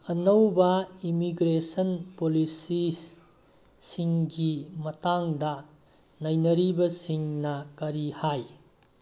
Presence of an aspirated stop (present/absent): absent